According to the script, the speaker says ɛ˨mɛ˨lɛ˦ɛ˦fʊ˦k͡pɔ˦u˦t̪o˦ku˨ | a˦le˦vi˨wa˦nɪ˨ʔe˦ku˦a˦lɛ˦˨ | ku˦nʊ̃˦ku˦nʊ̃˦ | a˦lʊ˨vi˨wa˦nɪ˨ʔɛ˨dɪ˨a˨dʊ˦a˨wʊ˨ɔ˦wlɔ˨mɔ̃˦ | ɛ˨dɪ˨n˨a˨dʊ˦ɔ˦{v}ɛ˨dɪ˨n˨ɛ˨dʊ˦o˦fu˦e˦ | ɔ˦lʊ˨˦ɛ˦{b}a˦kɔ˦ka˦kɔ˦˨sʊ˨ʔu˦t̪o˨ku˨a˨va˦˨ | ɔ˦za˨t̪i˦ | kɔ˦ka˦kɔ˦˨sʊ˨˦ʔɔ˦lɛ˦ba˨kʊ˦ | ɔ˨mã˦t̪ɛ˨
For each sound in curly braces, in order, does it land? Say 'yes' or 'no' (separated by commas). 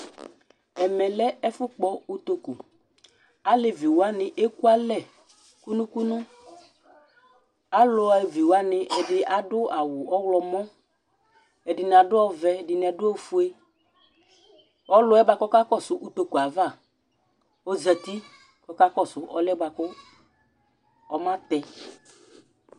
yes, yes